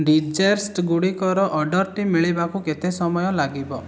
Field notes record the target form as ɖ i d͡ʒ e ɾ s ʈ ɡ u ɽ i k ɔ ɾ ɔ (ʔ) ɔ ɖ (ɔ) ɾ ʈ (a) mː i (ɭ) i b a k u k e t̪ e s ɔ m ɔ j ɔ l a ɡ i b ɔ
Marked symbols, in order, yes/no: yes, yes, no, yes

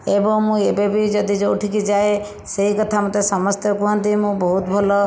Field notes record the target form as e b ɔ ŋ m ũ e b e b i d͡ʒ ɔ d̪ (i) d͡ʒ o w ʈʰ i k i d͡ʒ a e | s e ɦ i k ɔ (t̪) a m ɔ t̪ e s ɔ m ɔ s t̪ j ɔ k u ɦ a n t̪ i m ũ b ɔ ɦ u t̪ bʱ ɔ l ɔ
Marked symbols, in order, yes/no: yes, no

